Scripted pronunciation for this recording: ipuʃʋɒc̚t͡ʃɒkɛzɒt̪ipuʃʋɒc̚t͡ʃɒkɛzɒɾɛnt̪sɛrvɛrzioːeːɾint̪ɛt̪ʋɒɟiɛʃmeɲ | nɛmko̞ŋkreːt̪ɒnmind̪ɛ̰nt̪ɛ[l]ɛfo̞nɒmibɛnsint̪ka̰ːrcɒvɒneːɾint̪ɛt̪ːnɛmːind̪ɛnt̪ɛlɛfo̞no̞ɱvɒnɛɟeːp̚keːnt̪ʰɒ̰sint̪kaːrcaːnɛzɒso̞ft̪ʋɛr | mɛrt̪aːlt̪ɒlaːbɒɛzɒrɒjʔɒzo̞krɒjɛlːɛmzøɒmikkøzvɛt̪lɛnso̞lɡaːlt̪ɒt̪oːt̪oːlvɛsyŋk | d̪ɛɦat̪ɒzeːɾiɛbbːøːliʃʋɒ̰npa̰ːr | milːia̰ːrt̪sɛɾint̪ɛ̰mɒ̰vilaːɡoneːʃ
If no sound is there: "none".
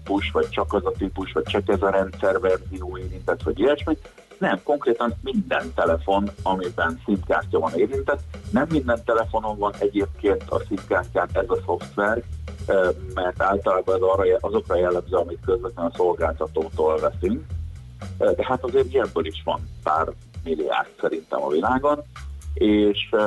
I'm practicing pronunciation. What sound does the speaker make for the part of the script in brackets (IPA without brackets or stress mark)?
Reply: l